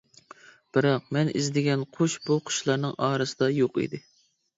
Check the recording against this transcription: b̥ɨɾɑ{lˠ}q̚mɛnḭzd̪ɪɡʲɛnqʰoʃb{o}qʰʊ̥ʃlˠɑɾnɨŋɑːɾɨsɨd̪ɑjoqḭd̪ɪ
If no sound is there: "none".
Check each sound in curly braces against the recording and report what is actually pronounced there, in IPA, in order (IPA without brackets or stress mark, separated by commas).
none, u